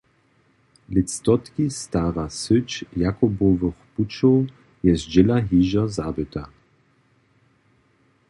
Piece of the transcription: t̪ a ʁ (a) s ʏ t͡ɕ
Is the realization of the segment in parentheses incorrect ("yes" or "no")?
no